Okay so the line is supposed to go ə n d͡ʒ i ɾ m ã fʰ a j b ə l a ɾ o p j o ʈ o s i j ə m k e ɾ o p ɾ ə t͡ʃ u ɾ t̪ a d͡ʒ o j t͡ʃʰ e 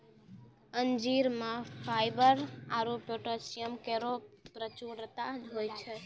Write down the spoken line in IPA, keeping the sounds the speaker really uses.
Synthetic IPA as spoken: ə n d͡ʒ i ɾ m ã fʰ a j b ə ɾ a ɾ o p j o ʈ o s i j ə m k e ɾ o p ɾ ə t͡ʃ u ɾ t̪ a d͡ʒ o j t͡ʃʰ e